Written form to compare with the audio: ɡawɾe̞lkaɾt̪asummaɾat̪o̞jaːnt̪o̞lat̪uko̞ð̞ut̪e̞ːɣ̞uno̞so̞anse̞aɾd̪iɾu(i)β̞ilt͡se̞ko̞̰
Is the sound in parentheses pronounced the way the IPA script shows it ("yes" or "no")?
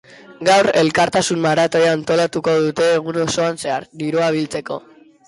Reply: no